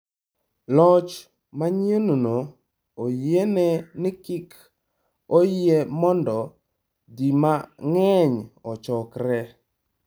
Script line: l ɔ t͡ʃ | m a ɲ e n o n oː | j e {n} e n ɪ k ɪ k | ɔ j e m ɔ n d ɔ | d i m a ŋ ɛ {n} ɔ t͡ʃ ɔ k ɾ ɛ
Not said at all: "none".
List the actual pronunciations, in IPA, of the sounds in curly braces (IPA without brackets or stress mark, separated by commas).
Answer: n, ɲ